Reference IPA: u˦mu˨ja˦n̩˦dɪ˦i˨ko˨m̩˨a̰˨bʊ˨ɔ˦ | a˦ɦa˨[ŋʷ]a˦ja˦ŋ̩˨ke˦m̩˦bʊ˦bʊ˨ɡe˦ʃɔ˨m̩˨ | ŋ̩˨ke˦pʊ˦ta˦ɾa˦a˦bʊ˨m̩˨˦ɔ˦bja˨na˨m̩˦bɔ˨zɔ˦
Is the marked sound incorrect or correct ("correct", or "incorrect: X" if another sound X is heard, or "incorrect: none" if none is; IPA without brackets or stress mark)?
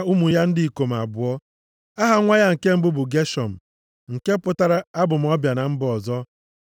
correct